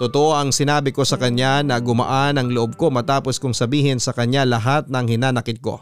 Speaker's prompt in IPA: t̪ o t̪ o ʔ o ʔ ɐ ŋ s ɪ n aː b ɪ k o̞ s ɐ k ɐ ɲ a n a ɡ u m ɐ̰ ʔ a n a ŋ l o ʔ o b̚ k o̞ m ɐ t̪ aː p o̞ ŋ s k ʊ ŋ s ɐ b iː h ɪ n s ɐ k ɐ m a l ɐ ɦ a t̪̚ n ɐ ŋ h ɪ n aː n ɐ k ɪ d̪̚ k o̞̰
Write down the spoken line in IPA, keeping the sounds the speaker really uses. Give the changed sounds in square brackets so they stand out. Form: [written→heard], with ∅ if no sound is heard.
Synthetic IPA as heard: t̪ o t̪ o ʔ o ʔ ɐ ŋ s ɪ n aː b ɪ k o̞ s ɐ k ɐ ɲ a n [a→ɐ] ɡ [u→ʊ] m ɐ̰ ʔ a n [a→ɐ] ŋ l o ʔ o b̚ k o̞ m ɐ t̪ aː p o̞ [ŋ→∅] s k ʊ ŋ s ɐ b iː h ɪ n s ɐ k ɐ [m→ɲ] a l ɐ ɦ a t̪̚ n ɐ ŋ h ɪ n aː n ɐ k ɪ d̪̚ k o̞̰